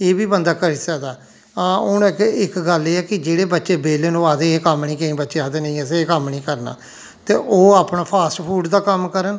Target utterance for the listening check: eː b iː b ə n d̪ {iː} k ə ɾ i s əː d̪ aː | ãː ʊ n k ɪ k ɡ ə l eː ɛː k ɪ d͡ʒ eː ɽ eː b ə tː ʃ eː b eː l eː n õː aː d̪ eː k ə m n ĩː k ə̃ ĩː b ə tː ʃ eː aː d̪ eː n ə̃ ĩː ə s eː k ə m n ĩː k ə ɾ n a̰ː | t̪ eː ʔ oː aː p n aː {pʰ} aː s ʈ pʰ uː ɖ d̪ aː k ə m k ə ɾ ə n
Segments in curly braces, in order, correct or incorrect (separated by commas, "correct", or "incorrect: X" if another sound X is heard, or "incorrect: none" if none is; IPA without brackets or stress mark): incorrect: aː, correct